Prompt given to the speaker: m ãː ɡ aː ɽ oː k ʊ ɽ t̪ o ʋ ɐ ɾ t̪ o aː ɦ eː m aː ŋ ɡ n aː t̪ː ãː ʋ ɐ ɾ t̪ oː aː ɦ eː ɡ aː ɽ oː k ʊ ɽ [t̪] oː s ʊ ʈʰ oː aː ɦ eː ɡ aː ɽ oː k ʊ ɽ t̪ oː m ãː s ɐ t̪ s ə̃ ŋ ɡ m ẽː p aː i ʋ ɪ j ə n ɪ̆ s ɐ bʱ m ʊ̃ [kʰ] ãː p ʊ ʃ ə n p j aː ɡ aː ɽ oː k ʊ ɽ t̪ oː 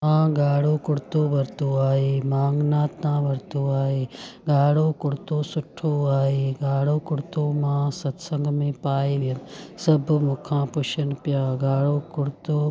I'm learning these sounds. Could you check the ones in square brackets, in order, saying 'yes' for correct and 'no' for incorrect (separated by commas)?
yes, yes